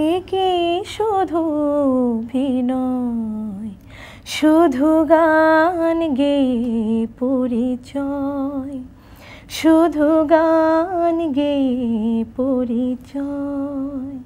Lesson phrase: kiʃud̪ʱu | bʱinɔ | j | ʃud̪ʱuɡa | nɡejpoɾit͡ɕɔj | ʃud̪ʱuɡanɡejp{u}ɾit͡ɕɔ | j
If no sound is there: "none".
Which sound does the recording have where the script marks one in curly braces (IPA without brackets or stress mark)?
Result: o